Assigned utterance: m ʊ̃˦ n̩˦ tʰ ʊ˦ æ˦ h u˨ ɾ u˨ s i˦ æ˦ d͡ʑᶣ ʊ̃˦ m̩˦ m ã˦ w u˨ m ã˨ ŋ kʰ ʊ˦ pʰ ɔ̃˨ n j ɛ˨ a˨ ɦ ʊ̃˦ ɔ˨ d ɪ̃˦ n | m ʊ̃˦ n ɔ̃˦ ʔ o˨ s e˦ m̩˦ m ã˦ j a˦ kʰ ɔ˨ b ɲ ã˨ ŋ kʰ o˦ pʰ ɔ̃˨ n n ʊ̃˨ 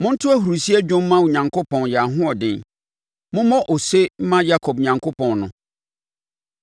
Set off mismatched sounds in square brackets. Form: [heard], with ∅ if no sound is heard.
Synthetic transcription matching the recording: m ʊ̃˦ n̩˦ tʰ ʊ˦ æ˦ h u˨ ɾ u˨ s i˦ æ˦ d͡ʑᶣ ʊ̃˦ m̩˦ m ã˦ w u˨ [ɲ] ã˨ ŋ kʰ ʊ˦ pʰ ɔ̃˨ n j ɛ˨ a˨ ɦ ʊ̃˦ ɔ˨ d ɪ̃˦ n | m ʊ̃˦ [m] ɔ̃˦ ʔ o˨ s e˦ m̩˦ m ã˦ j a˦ kʰ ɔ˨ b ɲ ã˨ ŋ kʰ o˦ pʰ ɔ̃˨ n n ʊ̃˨